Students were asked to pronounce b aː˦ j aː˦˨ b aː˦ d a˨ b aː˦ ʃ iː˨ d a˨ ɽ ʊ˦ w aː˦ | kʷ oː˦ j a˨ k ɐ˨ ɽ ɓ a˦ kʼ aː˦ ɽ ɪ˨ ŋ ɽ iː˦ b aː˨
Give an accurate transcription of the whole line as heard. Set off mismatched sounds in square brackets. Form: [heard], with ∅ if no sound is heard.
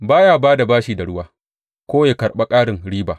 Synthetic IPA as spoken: b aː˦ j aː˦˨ b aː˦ d a˨ b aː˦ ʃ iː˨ d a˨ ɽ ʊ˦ w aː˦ | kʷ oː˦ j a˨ k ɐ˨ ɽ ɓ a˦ kʼ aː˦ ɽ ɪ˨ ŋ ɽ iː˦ b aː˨